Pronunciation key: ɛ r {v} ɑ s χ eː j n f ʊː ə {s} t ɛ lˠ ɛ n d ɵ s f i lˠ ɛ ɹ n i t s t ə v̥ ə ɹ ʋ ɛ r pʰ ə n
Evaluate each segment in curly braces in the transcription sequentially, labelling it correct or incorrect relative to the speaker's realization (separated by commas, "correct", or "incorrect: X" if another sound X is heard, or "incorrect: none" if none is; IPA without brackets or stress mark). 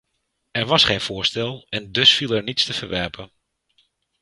incorrect: ʋ, correct